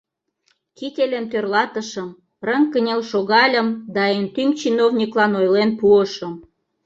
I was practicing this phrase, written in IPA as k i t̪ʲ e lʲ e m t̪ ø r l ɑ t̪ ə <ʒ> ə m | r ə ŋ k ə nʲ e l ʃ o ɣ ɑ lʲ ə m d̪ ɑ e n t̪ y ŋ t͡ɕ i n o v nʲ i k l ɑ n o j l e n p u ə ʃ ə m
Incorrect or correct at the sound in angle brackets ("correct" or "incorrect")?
incorrect